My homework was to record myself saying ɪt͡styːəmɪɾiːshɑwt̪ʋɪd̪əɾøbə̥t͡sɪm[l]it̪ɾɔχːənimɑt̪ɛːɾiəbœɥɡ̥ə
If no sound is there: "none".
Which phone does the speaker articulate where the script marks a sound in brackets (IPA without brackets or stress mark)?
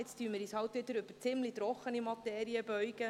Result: l